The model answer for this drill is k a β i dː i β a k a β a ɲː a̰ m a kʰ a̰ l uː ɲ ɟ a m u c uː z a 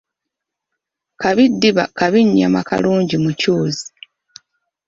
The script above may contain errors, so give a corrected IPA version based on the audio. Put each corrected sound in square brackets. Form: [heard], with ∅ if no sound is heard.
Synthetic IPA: k a β i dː i β a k a β [i] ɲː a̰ m a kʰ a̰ l uː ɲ ɟ [i] m u c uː z [i]

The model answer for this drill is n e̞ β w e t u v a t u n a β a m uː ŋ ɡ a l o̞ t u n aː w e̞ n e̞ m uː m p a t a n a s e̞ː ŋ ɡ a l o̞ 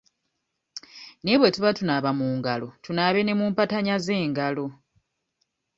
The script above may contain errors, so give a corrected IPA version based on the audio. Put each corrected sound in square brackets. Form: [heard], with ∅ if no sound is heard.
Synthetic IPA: n e̞ β w e t u [β] a t u n a β a m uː ŋ ɡ a l o̞ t u n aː [β] e̞ n e̞ m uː m p a t a [ɲ] a [z] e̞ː ŋ ɡ a l o̞

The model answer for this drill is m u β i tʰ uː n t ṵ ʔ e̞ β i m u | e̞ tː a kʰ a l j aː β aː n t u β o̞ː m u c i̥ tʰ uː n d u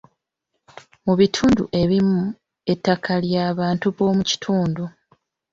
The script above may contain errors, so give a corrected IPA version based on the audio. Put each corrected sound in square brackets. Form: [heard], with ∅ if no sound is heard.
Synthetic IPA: m u β i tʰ uː n [d] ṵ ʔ e̞ β i m u | e̞ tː a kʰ a l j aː β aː n t u β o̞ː m u c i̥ tʰ uː n d u

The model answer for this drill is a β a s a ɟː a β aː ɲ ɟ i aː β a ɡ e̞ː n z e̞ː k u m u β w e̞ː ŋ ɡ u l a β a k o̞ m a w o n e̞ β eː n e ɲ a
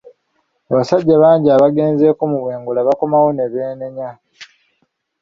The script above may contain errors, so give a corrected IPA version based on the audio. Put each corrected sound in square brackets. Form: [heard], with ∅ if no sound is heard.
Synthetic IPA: a β a s a ɟː a β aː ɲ ɟ i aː β a ɡ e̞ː n z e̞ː k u m u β w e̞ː ŋ ɡ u l a β a k o̞ m a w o n e̞ β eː n e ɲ a

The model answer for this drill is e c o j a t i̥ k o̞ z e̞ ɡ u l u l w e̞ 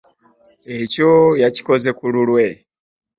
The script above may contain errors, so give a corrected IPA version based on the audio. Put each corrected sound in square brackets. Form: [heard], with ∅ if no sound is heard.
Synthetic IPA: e c o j a [c] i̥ k o̞ z e̞ [k] u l u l w e̞

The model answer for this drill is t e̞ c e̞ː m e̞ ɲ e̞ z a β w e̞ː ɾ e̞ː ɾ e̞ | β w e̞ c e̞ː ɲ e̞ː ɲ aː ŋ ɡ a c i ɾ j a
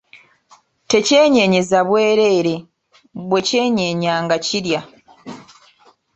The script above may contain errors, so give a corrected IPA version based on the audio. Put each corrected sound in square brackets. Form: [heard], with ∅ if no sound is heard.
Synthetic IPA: t e̞ c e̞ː [ɲ] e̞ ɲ e̞ z a β w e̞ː ɾ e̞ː ɾ e̞ | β w e̞ c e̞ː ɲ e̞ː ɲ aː ŋ ɡ a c i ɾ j a

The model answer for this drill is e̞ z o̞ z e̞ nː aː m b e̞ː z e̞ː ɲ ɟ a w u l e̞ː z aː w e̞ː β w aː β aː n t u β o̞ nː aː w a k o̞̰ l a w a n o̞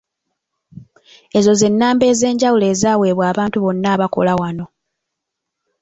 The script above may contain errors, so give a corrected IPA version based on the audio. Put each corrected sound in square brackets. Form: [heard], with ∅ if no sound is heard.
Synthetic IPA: e̞ z o̞ z e̞ nː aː m b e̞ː z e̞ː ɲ ɟ a w u l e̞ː z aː w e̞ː β w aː β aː n t u β o̞ nː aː [β] a k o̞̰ l a w a n o̞

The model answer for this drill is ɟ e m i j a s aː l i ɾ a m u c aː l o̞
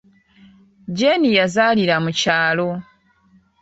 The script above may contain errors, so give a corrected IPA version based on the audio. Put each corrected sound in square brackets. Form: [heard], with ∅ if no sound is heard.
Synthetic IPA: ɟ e [n] i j a [z] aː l i ɾ a m u c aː l o̞

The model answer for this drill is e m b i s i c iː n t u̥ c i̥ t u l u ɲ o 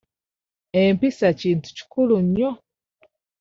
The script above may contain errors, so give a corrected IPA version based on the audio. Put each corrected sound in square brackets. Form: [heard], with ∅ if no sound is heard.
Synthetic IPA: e m [p] i s [a] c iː n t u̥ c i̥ [k] u l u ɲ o

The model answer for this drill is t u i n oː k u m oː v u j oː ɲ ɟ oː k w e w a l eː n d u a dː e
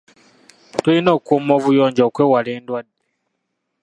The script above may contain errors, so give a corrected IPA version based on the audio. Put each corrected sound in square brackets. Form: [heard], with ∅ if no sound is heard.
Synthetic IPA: t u i n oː k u m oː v u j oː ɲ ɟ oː k w e w a l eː n d [w] a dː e

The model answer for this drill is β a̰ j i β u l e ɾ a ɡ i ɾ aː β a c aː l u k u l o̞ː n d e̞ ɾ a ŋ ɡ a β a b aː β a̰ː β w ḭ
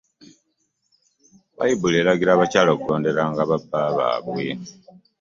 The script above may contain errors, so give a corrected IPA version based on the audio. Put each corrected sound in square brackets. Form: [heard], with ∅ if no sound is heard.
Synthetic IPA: β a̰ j i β u l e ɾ a ɡ i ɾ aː β a c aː l [o] k u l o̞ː n d e̞ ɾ a ŋ ɡ a β a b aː β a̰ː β w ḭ

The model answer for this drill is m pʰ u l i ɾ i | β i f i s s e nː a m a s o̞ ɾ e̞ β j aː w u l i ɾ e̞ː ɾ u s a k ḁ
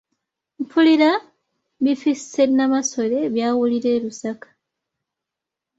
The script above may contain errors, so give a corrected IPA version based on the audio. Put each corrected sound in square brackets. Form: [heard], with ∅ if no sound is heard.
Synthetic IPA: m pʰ u l i ɾ [a] | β i f i s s e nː a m a s o̞ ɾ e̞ β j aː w u l i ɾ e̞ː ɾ u s a k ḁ

